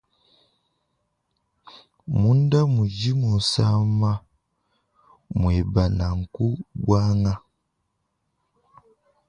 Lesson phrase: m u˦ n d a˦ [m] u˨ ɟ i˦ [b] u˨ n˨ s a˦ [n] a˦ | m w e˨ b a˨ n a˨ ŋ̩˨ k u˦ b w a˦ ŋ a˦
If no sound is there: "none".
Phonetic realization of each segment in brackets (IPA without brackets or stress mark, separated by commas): m, m, m